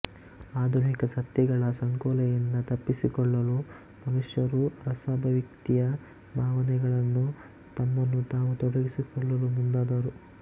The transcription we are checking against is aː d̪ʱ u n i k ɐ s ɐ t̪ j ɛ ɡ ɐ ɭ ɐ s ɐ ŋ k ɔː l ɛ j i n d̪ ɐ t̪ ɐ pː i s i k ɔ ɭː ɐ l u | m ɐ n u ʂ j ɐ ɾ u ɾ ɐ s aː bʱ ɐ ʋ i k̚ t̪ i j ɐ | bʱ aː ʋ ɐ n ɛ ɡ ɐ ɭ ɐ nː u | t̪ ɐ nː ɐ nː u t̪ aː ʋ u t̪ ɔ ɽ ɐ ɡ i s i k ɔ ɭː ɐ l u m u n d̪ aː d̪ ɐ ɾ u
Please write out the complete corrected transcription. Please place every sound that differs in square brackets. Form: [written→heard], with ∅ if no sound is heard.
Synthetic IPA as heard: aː d̪ʱ u n i k ɐ s ɐ t̪ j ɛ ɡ ɐ ɭ ɐ s ɐ ŋ k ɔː l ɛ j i n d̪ ɐ t̪ ɐ pː i s i k ɔ ɭː ɐ l u | m ɐ n u ʂ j ɐ ɾ u ɾ ɐ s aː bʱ ɐ ʋ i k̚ t̪ i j ɐ | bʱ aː ʋ ɐ n ɛ ɡ ɐ ɭ ɐ nː u | t̪ ɐ [nː→mː] ɐ nː u t̪ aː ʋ u t̪ ɔ ɽ ɐ ɡ i s i k ɔ ɭː ɐ l u m u n d̪ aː d̪ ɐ ɾ u